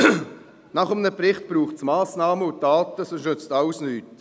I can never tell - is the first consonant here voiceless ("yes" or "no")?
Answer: no